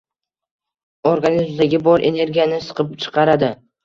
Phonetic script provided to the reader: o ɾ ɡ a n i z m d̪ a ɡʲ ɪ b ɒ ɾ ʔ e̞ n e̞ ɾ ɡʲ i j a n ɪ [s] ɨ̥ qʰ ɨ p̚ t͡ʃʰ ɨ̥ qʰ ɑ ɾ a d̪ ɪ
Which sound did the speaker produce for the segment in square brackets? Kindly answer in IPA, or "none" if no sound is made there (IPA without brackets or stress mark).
s